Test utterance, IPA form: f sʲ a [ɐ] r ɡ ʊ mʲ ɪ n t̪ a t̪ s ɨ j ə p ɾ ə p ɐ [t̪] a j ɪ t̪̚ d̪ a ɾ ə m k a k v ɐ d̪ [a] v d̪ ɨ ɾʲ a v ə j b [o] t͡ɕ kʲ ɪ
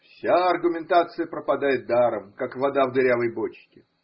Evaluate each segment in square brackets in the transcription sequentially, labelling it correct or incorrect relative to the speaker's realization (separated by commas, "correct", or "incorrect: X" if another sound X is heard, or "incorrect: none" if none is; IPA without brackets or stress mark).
correct, incorrect: d̪, correct, correct